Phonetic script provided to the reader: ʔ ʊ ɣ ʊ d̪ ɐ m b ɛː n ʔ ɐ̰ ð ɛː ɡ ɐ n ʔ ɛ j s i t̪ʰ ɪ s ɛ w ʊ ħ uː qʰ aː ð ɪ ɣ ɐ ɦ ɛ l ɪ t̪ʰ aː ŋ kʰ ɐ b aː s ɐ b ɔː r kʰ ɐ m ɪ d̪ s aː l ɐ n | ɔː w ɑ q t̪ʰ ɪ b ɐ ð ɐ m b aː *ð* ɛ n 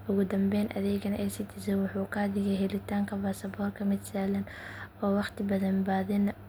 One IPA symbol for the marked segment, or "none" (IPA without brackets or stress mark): ð